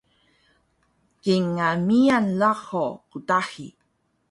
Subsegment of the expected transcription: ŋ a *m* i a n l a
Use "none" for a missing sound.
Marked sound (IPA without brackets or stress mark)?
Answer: m